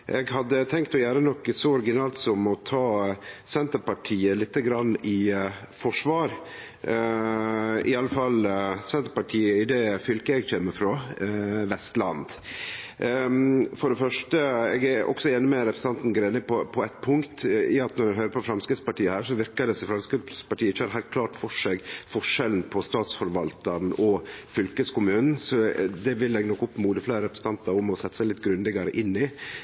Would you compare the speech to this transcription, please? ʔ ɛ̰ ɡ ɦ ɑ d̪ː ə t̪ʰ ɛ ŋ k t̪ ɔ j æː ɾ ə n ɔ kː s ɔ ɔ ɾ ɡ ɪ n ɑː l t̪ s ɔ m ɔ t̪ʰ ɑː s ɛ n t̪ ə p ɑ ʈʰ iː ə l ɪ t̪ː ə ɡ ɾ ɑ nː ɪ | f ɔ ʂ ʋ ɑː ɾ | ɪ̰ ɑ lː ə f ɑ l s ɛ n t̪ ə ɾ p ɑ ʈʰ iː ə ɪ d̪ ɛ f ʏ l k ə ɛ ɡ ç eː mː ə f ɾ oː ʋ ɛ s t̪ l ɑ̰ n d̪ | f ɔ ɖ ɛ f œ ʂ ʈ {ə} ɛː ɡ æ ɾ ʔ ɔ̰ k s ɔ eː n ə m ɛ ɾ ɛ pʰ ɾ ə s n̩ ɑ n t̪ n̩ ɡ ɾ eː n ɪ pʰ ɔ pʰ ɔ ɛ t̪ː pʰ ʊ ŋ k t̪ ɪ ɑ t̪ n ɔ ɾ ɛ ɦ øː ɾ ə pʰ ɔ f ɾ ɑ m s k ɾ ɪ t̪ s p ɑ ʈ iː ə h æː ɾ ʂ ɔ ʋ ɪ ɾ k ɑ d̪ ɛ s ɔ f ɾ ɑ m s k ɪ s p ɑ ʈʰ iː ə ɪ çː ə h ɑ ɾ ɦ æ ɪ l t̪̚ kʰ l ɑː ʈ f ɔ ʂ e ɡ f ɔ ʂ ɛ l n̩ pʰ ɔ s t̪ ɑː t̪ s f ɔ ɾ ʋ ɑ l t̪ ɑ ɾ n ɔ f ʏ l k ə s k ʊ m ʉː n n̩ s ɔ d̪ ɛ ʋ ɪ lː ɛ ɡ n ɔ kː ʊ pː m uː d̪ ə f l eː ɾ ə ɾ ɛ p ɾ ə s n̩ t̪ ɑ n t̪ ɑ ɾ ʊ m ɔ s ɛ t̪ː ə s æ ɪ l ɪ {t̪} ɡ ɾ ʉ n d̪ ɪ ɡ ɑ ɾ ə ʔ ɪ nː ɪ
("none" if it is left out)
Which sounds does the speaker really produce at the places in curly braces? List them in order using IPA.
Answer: ə, t̪

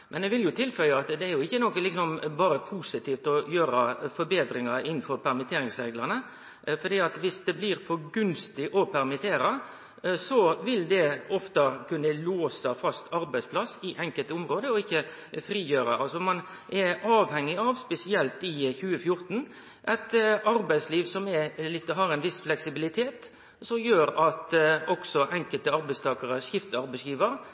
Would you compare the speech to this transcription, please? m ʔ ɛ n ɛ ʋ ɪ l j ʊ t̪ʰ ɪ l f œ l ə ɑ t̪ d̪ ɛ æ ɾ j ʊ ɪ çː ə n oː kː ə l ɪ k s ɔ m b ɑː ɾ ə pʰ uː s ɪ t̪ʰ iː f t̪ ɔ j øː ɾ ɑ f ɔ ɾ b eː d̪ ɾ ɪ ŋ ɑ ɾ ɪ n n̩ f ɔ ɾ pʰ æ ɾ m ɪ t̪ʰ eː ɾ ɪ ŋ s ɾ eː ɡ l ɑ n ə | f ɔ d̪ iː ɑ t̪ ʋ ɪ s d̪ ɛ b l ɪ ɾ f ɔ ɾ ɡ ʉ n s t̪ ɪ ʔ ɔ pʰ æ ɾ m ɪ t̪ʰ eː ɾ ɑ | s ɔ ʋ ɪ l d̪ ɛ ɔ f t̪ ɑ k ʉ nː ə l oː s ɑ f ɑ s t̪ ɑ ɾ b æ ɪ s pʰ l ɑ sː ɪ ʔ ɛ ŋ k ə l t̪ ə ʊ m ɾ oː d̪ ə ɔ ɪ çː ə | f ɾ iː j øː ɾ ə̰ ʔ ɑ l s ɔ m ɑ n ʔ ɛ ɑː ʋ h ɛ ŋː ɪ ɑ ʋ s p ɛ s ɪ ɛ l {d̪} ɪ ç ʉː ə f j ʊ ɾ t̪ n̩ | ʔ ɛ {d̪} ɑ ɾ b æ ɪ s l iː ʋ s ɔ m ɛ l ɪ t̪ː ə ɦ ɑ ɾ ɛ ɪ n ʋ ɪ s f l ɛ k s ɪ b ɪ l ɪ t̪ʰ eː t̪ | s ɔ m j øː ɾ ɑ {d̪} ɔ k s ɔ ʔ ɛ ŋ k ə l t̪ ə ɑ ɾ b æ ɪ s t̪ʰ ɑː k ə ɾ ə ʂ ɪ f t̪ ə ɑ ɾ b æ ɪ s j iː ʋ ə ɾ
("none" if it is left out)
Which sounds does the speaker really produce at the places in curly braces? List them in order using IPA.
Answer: t̪, t̪, t̪

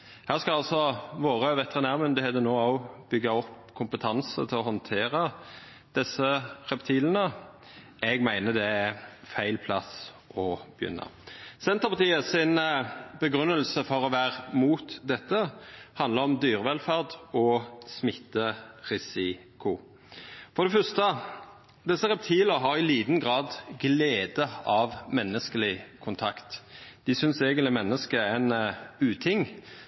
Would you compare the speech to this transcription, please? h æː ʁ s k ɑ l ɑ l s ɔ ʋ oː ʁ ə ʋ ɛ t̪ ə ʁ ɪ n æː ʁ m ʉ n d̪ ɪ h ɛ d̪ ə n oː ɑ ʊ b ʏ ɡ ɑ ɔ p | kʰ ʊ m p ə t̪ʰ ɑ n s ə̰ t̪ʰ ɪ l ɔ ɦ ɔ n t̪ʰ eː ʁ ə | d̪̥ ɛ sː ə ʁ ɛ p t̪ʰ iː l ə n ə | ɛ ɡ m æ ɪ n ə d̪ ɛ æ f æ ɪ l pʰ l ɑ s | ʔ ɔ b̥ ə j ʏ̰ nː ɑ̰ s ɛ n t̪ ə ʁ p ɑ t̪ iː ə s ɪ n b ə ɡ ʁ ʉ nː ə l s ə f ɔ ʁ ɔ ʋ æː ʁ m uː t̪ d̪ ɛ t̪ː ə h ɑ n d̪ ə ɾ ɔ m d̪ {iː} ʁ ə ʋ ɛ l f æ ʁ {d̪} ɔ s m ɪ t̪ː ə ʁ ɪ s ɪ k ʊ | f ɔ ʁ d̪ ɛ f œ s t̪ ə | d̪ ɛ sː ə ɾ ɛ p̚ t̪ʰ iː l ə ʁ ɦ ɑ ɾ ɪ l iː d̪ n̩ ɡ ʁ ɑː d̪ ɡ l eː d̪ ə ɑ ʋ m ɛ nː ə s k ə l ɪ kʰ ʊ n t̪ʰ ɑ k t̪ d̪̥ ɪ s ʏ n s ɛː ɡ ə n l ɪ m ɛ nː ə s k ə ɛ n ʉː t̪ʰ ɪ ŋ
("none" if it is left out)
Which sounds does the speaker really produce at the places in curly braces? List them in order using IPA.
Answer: yː, d̪

